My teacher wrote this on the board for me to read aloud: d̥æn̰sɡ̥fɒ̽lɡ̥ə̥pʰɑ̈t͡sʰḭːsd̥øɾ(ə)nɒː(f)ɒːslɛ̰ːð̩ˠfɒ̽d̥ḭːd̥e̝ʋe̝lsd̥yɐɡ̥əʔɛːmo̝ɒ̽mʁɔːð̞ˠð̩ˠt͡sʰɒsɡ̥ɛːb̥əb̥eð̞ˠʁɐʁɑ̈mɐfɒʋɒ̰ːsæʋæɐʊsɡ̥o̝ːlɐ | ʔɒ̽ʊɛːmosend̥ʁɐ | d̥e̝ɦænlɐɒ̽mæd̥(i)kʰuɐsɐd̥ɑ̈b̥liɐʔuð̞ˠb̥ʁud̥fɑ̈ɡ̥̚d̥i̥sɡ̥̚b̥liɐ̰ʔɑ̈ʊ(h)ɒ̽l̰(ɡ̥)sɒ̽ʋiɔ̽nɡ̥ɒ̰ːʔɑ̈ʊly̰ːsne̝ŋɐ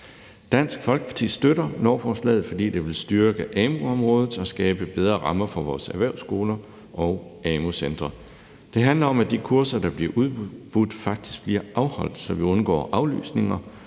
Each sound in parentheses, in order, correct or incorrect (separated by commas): incorrect, correct, correct, correct, incorrect